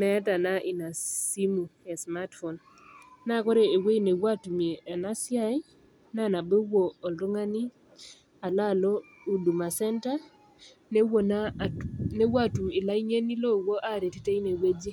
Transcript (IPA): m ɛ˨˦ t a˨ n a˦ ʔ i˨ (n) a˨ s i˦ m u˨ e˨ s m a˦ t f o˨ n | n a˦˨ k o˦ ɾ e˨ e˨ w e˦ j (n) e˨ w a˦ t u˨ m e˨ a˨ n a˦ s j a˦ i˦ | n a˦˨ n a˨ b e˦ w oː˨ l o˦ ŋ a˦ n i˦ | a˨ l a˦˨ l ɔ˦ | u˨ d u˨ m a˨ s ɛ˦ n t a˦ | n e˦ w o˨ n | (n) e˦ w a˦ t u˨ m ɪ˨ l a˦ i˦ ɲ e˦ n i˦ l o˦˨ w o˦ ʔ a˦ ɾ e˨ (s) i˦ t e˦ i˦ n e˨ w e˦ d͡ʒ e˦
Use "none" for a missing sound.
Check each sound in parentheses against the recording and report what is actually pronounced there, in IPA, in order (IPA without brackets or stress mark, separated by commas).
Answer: n, n, n, t